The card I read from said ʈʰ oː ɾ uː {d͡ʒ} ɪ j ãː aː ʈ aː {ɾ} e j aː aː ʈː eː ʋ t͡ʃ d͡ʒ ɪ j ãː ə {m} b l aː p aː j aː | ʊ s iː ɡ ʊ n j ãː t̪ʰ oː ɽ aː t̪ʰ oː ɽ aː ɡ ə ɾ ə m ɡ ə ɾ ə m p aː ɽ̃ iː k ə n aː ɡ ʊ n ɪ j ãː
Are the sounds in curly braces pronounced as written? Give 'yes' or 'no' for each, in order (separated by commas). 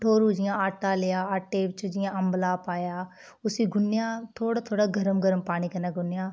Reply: yes, no, yes